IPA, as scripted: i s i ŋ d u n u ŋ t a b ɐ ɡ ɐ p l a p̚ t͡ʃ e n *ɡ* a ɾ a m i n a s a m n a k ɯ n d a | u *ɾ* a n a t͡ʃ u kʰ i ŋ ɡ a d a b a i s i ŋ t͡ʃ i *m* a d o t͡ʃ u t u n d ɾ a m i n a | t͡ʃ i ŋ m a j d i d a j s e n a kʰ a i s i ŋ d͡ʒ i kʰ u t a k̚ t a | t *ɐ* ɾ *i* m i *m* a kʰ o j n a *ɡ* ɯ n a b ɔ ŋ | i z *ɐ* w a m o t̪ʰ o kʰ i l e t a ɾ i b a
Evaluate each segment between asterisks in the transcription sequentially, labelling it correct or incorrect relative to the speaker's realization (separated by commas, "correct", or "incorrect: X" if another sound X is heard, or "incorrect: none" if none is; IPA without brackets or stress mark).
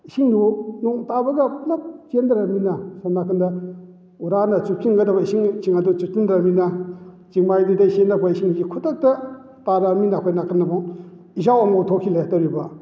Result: incorrect: d, correct, incorrect: ŋ, incorrect: a, incorrect: a, incorrect: n, incorrect: k, incorrect: a